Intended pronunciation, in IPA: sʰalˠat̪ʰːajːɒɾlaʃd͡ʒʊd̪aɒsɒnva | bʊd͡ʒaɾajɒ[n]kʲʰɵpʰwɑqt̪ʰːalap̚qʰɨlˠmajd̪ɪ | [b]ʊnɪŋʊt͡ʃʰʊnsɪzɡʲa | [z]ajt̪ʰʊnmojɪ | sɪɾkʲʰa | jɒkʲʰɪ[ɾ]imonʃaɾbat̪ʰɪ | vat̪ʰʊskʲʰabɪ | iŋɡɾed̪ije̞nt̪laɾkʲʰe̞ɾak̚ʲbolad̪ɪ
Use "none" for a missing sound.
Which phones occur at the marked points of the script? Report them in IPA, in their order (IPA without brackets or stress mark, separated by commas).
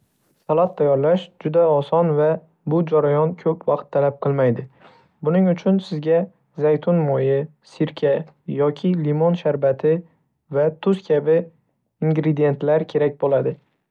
n, b, z, l